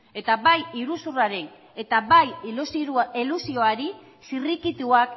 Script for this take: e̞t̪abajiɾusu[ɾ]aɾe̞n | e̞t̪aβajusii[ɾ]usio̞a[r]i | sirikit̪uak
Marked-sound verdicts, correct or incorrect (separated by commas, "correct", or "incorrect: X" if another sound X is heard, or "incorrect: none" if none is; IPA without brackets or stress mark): incorrect: r, incorrect: l, incorrect: ɾ